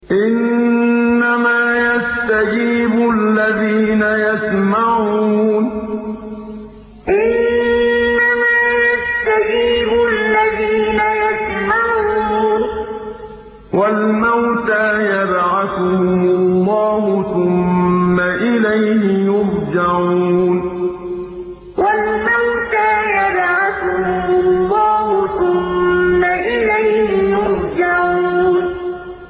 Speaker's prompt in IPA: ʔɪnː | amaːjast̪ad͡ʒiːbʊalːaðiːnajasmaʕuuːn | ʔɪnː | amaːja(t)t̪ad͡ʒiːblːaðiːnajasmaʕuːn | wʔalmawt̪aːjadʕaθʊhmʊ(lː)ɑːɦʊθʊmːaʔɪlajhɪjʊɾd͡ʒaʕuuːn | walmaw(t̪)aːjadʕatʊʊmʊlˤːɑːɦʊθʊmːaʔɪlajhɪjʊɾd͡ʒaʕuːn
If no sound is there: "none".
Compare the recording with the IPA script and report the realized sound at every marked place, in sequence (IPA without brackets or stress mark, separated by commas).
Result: s, lː, t̪